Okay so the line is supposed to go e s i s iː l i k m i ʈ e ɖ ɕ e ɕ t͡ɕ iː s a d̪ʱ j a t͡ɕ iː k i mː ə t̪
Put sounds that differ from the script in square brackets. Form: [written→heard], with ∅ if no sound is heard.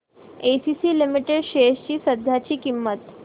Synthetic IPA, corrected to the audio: e s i s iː l i [k→∅] m i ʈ e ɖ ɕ e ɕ t͡ɕ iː s [a→ə] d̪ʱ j a t͡ɕ iː k i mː ə t̪